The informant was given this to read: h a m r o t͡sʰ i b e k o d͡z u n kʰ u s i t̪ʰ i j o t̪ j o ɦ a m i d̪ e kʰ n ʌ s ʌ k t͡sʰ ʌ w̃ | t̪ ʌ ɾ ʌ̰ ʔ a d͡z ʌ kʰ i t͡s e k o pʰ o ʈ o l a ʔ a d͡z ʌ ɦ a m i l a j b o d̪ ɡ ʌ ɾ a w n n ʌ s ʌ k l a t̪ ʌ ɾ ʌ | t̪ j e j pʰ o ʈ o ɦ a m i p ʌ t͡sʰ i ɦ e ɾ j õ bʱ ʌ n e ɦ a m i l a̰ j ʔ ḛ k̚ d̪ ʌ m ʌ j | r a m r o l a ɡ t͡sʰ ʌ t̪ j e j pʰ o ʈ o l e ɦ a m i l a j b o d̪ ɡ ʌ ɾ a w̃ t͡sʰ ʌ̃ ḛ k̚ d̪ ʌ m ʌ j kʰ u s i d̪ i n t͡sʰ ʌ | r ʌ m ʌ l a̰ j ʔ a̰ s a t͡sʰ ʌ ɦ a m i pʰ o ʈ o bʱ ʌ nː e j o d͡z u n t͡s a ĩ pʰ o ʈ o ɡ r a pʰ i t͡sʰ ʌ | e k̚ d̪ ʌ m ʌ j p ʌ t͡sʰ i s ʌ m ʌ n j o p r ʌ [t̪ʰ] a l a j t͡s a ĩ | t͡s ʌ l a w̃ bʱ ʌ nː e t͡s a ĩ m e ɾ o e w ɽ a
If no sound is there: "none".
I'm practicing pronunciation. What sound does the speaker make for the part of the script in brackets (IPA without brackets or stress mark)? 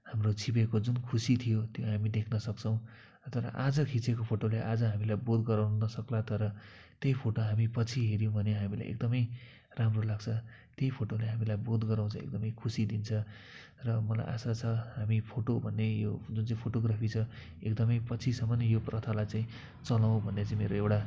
t̪ʰ